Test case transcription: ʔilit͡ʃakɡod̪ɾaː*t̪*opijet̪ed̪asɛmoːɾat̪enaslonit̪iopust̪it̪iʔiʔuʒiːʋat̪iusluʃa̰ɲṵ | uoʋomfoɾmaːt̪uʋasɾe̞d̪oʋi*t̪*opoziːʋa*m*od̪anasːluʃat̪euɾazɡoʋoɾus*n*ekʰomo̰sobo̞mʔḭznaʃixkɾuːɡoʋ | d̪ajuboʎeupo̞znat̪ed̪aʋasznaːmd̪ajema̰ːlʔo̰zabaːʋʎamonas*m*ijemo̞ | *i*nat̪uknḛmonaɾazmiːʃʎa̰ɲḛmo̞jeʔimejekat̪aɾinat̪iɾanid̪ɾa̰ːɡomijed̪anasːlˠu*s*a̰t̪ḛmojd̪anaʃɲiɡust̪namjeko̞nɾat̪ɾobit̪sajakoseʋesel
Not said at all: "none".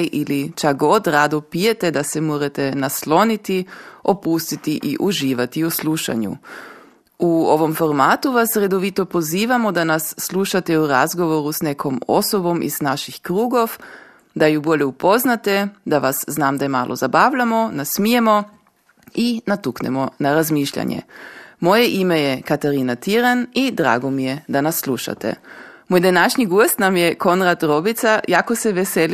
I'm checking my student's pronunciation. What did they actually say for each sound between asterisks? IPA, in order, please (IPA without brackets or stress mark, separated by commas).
d̪, t̪, m, n, m, i, ʃ